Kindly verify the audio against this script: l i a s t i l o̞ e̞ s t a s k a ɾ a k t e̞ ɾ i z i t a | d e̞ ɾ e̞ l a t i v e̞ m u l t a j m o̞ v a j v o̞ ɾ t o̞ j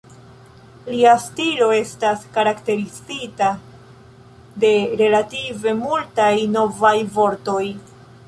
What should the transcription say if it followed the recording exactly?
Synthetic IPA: l i a s t i l o̞ e̞ s t a s k a ɾ a k t e̞ ɾ i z i t a | d e̞ ɾ e̞ l a t i v e̞ m u l t a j n o̞ v a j v o̞ ɾ t o̞ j